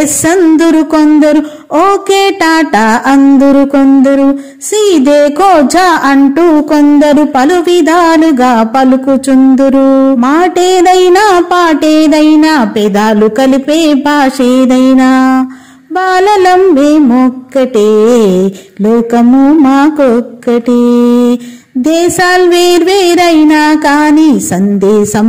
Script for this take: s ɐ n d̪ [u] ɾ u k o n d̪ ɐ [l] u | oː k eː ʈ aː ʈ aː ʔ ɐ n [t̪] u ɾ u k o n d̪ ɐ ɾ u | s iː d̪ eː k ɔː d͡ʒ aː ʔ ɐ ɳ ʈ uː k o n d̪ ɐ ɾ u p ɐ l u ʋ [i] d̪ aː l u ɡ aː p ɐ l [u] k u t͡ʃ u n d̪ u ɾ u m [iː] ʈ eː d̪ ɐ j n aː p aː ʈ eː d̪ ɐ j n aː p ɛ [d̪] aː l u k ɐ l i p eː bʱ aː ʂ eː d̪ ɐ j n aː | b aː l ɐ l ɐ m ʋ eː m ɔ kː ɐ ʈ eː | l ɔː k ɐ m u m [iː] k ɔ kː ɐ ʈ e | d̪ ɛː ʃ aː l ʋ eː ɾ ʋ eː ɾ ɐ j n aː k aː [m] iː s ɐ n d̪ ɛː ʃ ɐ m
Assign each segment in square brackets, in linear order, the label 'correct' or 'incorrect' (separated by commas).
correct, incorrect, incorrect, correct, correct, incorrect, correct, incorrect, incorrect